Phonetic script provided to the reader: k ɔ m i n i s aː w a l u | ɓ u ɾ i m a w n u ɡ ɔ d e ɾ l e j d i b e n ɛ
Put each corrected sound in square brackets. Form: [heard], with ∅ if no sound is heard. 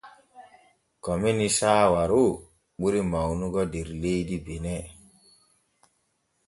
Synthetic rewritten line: k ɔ m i n i s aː w a [ɾ] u | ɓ u ɾ i m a w n u ɡ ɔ d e ɾ l e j d i b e n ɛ